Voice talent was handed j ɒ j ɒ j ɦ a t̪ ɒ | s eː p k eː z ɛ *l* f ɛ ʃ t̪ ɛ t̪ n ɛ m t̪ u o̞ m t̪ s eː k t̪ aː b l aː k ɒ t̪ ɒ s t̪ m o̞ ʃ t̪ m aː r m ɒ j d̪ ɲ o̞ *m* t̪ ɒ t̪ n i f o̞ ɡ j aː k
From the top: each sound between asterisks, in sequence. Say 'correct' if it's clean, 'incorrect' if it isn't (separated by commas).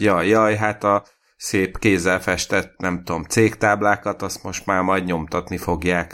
correct, correct